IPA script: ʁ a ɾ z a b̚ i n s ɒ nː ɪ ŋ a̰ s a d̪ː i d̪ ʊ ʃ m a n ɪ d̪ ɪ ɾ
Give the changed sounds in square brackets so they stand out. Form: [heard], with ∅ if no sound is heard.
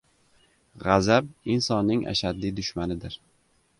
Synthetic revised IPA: ʁ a [∅] z a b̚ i n s ɒ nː ɪ ŋ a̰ [ʃ] a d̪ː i d̪ ʊ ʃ m a n ɪ d̪ ɪ ɾ